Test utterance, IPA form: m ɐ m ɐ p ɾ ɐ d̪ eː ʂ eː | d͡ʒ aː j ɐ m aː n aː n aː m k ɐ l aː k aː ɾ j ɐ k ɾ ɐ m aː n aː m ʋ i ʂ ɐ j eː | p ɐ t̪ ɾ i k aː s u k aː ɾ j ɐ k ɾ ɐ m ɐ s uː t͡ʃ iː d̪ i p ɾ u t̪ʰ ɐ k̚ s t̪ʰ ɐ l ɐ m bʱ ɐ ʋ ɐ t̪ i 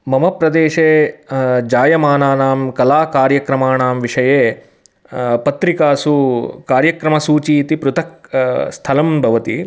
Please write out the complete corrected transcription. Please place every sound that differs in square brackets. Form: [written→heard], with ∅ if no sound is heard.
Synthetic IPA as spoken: m ɐ m ɐ p ɾ ɐ d̪ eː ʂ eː | d͡ʒ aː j ɐ m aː n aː n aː m k ɐ l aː k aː ɾ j ɐ k ɾ ɐ m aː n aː m ʋ i ʂ ɐ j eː | p ɐ t̪ ɾ i k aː s u k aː ɾ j ɐ k ɾ ɐ m ɐ s uː t͡ʃ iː [d̪→t̪] i p ɾ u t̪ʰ ɐ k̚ s t̪ʰ ɐ l ɐ m bʱ ɐ ʋ ɐ t̪ i